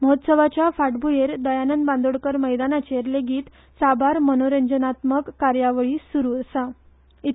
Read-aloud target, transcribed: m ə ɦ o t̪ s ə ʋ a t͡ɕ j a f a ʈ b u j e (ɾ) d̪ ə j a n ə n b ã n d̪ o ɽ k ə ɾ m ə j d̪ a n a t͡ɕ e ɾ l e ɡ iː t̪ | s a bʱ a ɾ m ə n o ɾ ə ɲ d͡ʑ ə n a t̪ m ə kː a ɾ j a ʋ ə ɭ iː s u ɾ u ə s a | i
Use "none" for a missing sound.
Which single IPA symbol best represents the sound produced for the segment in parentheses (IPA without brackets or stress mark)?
ɾ